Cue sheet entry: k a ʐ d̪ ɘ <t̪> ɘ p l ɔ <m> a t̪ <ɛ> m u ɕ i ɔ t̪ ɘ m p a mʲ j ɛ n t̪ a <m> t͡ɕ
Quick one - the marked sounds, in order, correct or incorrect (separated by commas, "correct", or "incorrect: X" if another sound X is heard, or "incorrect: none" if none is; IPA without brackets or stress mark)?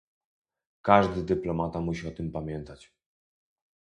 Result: incorrect: d̪, correct, incorrect: a, incorrect: none